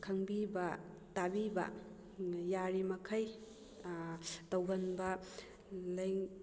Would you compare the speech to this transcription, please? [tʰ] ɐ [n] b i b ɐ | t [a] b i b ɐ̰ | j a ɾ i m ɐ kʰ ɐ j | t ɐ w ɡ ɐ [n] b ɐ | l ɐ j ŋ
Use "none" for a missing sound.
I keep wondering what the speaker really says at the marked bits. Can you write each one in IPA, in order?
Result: kʰ, ŋ, a, n

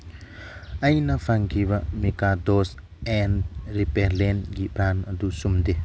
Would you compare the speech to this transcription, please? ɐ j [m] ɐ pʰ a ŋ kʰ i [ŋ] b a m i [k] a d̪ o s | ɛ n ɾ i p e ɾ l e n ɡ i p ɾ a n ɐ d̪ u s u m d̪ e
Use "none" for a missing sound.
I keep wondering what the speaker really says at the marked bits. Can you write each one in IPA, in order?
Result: n, none, k

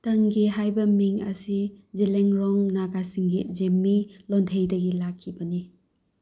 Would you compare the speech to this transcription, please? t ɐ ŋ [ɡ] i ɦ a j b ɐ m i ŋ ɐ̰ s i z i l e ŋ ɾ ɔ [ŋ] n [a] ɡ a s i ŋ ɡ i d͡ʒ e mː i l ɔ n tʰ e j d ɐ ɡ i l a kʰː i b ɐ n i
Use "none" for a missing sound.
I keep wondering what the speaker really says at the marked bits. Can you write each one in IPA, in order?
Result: ɡ, ŋ, a

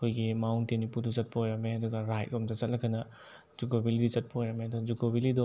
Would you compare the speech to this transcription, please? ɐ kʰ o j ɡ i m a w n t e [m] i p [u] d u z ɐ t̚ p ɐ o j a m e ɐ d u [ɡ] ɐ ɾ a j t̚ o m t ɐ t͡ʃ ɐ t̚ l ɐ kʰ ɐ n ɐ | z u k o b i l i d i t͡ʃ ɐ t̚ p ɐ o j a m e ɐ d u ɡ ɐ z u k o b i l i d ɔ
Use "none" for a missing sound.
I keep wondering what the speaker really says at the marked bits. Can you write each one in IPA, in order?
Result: n, u, ɡ

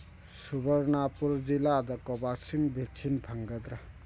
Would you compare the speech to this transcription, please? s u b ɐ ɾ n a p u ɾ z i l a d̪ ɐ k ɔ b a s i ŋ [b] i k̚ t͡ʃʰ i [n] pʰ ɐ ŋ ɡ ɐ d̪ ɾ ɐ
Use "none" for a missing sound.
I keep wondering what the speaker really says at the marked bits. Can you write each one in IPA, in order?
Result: b, n

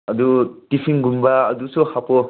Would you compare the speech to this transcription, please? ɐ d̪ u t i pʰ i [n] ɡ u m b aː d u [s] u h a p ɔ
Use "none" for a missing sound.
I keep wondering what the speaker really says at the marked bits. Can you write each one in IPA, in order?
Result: ŋ, s

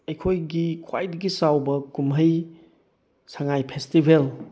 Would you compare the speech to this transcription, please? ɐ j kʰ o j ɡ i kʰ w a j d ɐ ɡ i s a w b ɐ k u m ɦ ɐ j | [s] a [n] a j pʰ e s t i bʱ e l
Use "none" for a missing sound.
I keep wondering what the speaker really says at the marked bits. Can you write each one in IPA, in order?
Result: s, ŋ

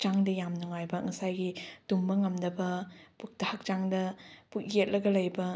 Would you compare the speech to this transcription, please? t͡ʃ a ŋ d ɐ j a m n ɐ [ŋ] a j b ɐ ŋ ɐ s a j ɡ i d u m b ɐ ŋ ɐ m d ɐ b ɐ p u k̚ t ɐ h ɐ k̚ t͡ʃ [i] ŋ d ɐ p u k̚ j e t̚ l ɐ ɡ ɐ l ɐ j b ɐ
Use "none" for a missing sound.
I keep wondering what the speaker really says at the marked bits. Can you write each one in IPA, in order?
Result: ŋ, a

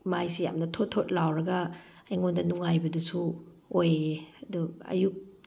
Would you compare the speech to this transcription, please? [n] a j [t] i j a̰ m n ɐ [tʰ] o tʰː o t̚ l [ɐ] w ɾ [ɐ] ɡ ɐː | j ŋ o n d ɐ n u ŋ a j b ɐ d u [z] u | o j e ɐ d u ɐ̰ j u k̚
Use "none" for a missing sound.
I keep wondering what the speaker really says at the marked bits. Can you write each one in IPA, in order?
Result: m, s, tʰ, a, ɐ, s

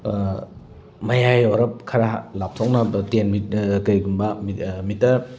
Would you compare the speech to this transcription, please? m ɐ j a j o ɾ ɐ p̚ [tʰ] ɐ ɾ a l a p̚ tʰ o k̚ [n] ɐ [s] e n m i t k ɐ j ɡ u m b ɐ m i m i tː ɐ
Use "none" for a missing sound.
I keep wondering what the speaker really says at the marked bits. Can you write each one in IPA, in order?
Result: kʰ, n, t

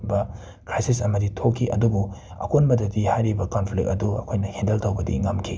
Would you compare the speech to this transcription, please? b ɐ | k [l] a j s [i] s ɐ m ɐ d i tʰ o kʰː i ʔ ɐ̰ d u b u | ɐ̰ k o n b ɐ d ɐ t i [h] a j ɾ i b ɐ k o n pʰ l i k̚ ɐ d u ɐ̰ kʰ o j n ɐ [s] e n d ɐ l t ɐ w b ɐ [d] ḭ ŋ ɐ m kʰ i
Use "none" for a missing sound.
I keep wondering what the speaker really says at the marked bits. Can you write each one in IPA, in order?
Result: ɾ, i, h, h, d

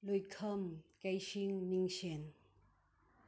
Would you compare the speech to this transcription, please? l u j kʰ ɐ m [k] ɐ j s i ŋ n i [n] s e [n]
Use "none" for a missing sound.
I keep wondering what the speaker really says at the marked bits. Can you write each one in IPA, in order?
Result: k, ŋ, n

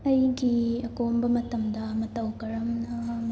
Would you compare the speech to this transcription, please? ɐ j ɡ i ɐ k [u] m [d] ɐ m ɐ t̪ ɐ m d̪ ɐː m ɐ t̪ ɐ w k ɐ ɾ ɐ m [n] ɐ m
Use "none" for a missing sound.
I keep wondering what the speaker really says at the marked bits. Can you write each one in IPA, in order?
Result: o, b, n

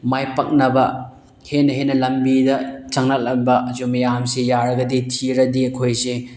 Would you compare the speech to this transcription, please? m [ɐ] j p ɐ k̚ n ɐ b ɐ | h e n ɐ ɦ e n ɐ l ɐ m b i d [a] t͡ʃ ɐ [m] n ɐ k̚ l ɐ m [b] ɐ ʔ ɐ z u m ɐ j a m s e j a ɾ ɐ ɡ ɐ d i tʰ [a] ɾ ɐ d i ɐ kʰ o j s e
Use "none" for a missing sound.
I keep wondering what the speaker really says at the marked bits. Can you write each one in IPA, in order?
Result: a, ɐ, ŋ, b, i

